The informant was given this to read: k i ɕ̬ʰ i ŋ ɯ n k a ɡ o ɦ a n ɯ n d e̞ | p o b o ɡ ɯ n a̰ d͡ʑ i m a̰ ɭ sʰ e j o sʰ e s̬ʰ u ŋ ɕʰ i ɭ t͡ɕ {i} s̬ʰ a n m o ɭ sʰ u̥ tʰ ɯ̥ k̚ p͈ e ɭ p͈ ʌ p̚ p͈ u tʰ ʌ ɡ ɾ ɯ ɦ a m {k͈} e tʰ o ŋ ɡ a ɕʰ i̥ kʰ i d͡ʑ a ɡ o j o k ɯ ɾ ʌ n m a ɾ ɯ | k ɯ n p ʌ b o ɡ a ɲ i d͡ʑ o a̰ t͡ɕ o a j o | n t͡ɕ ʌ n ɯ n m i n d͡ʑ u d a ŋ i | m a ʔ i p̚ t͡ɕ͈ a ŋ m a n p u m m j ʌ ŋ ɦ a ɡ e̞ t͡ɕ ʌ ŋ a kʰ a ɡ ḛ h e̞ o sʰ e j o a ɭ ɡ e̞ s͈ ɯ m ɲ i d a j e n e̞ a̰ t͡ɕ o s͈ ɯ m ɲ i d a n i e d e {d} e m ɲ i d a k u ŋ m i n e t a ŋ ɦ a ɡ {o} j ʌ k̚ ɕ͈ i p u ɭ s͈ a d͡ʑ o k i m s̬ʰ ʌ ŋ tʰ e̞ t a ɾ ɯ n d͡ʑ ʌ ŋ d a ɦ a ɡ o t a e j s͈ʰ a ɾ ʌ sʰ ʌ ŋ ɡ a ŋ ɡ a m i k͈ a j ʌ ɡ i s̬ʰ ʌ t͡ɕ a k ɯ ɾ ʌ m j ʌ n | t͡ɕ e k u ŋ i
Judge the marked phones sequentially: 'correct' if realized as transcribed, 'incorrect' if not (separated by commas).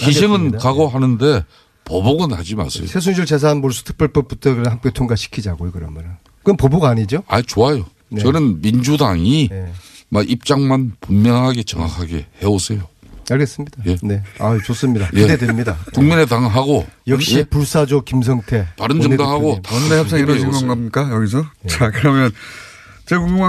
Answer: incorrect, correct, correct, correct